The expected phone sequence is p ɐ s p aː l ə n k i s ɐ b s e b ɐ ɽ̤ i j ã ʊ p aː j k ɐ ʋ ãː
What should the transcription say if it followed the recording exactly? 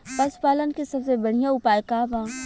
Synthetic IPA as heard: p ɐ s p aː l ə n k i s ɐ b s e b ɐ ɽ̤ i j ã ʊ p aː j k a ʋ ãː